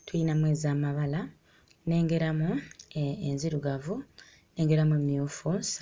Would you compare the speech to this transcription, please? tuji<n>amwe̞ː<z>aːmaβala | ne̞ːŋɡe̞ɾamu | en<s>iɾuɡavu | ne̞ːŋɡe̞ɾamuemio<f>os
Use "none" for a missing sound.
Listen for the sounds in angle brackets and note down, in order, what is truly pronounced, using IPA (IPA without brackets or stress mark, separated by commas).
n, z, z, f